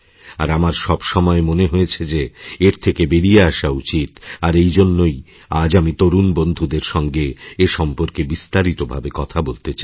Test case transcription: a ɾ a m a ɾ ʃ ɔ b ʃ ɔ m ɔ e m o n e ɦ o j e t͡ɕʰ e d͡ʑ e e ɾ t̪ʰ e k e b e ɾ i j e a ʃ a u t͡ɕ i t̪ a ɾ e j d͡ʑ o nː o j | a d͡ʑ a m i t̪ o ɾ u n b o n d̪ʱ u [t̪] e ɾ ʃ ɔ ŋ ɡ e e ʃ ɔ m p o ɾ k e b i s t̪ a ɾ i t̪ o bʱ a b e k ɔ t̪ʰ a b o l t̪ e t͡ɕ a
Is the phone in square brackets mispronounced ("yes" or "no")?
yes